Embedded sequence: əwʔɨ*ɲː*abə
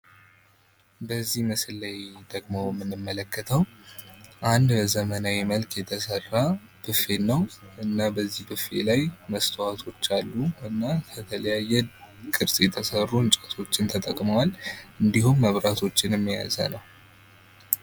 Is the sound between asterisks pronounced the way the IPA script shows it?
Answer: no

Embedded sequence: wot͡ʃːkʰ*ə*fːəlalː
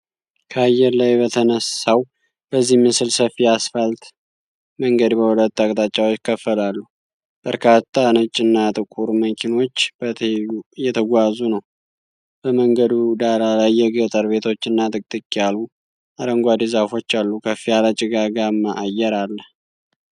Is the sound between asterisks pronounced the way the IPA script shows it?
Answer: yes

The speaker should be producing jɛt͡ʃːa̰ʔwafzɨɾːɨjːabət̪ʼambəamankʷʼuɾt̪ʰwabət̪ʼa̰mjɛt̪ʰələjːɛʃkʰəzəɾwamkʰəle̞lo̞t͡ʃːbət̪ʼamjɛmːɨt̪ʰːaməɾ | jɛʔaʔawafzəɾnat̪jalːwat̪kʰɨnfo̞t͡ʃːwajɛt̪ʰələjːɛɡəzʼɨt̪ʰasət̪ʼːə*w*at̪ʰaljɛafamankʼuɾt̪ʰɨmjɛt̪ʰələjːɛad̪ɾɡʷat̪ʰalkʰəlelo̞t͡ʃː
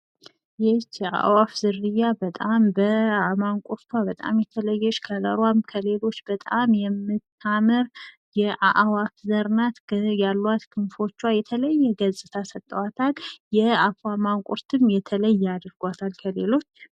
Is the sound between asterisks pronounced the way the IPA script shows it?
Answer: yes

